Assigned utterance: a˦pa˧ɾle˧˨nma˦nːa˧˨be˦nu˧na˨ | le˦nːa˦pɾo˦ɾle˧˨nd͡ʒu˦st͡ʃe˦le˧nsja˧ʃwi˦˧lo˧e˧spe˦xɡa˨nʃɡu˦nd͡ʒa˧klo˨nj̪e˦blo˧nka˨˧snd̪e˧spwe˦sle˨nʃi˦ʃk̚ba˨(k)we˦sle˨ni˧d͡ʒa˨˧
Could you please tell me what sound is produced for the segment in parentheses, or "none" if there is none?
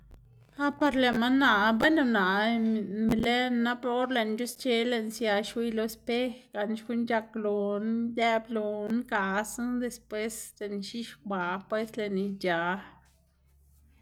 p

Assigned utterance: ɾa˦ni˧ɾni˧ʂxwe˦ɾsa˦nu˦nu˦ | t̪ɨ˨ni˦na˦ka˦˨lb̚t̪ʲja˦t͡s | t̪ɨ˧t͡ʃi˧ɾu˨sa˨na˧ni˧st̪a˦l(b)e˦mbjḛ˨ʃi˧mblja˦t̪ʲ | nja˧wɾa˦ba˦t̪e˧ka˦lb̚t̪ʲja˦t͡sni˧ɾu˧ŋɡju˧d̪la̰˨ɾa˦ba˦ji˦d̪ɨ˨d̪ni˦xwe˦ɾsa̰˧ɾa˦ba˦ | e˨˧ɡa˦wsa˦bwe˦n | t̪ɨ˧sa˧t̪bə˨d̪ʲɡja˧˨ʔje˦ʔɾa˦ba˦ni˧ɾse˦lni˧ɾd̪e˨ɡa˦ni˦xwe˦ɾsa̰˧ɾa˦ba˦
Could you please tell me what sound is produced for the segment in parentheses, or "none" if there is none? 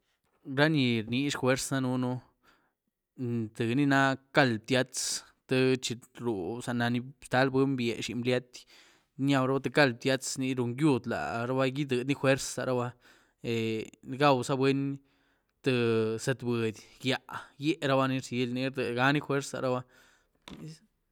b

